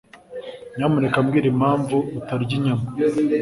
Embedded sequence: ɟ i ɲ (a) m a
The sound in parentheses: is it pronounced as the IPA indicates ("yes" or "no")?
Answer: yes